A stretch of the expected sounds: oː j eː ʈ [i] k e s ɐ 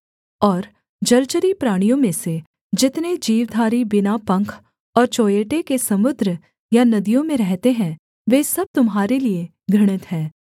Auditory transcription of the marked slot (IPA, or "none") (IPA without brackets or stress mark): e